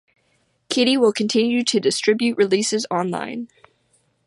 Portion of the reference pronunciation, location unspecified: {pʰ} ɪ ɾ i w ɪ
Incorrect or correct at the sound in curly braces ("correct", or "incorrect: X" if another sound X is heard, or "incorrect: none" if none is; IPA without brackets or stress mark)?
incorrect: kʰ